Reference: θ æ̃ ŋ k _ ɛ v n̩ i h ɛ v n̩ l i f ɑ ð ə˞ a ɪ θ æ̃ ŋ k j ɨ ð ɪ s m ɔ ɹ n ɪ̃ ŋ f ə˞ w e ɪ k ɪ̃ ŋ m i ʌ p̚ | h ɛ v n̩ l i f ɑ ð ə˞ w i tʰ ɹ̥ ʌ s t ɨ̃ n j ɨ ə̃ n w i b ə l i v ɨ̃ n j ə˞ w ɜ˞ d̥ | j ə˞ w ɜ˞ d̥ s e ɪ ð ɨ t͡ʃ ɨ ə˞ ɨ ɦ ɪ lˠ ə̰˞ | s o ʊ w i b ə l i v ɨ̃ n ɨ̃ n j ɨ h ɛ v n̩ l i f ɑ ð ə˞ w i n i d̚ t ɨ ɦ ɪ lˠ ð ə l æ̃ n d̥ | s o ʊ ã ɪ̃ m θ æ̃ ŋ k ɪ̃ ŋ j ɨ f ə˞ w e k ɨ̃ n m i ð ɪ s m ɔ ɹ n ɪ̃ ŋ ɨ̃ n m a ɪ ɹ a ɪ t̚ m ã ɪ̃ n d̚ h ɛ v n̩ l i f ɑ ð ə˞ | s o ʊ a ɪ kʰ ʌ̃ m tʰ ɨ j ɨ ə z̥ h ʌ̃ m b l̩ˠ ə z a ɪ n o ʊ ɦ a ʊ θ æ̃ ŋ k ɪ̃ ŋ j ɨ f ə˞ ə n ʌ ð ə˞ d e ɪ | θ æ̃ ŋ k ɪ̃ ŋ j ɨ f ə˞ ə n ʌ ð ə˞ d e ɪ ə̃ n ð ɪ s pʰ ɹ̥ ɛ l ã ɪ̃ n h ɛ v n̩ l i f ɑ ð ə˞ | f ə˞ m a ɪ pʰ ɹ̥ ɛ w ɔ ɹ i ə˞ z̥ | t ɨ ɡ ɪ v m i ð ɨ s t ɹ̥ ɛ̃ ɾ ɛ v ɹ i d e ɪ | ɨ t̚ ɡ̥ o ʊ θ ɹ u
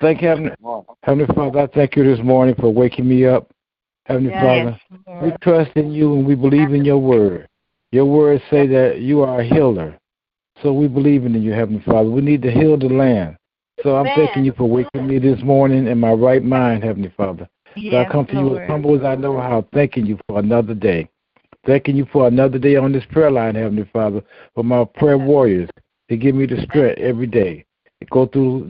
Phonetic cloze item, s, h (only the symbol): h